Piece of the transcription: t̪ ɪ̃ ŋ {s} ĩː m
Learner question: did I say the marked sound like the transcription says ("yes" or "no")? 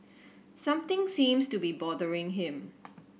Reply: yes